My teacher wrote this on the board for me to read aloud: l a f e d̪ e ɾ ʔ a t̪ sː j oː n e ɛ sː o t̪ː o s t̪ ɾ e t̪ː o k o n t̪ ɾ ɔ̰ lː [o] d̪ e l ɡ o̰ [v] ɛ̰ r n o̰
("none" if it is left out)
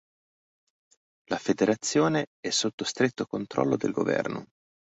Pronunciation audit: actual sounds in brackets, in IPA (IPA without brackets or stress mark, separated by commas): o, v